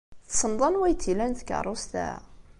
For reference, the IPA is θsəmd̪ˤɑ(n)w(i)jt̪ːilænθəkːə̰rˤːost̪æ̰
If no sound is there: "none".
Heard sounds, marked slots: n, æ

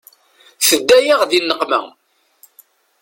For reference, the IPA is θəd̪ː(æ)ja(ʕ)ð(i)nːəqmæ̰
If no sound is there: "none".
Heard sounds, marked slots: æ, ʁ, i

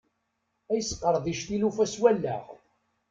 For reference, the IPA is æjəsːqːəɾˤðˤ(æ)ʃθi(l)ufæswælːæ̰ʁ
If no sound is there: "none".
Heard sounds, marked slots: i, l

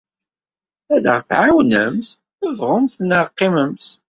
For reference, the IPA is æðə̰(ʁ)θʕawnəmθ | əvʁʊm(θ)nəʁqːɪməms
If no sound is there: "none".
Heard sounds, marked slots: ʁ, θ

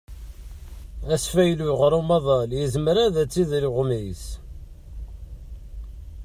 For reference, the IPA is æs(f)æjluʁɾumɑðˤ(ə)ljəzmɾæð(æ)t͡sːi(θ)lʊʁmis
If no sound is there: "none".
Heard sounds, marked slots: f, ɑ, æ, ð

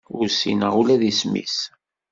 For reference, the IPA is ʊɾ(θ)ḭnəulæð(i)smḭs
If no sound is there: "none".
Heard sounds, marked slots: s, i

